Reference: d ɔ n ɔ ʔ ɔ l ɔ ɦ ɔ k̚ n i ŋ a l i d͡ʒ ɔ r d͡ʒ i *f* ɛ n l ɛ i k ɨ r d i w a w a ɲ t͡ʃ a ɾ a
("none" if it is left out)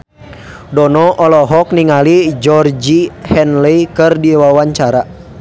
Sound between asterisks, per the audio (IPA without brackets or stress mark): h